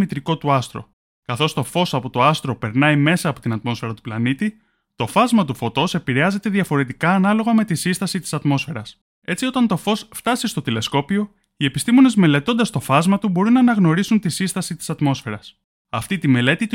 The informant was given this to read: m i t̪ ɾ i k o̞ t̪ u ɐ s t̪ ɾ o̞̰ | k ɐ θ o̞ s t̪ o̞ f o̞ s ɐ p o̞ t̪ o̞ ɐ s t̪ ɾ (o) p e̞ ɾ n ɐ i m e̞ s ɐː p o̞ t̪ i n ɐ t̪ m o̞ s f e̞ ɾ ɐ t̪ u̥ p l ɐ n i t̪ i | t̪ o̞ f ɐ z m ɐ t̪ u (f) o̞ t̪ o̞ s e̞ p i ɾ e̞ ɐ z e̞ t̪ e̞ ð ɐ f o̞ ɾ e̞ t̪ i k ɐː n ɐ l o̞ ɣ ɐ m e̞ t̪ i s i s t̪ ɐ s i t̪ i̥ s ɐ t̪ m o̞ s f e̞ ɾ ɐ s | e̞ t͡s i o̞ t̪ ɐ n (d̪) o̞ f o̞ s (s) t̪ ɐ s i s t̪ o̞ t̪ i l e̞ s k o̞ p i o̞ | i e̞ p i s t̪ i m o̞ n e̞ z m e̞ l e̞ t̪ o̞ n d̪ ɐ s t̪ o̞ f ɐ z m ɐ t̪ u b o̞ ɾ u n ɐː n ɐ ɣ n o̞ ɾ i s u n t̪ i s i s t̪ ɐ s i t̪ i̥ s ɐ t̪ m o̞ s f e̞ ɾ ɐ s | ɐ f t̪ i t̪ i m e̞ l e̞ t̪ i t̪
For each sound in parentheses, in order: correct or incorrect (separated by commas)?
correct, correct, incorrect, incorrect